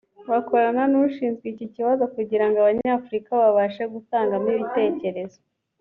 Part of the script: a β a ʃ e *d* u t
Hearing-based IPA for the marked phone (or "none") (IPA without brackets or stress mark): ɡ